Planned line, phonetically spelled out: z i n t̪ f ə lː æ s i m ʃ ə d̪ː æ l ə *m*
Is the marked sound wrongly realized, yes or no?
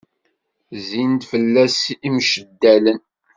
yes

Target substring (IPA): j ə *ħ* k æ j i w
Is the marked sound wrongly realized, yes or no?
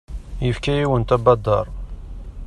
yes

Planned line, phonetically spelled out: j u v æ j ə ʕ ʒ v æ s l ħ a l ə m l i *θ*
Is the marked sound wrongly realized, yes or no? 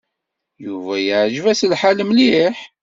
yes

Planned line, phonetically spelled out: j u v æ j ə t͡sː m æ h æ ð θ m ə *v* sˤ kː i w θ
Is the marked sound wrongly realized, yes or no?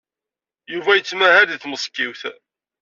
yes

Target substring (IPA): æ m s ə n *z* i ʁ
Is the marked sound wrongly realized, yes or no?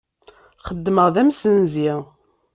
no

